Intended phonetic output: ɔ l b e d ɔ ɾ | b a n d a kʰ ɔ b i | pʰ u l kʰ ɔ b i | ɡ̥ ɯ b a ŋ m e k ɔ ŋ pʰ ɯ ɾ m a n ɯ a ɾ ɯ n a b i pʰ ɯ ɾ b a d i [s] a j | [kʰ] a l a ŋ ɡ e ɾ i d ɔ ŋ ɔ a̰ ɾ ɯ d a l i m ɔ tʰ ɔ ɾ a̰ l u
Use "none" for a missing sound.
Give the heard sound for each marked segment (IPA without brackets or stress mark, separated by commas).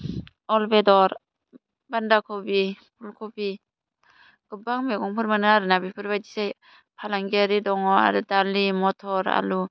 s, pʰ